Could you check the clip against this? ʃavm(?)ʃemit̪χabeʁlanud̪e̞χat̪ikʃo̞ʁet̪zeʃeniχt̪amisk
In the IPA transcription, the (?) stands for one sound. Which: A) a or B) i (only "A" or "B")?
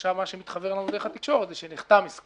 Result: A